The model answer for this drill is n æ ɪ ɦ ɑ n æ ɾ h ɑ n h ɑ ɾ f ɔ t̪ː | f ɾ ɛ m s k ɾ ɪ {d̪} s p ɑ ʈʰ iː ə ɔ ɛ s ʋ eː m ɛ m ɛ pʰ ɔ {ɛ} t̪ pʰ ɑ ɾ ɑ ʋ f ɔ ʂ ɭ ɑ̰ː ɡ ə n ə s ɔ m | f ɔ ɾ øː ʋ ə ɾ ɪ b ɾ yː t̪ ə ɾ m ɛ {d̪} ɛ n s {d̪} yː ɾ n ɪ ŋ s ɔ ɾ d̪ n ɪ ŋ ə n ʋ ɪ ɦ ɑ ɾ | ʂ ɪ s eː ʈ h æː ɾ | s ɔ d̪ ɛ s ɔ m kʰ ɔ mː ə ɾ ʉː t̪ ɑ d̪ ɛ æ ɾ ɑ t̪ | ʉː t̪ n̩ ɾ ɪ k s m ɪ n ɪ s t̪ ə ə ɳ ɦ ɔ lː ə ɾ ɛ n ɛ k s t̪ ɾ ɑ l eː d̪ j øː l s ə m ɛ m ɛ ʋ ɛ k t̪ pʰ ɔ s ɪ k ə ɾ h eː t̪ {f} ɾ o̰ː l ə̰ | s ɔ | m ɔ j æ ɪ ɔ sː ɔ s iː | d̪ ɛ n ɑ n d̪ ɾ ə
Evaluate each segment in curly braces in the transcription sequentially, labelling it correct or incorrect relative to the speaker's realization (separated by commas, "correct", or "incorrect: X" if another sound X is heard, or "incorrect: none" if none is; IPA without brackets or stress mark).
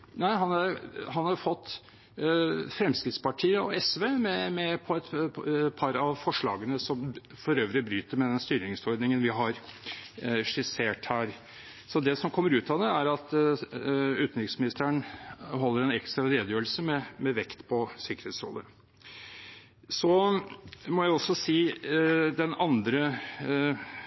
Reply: incorrect: t̪, correct, correct, incorrect: t̪, incorrect: s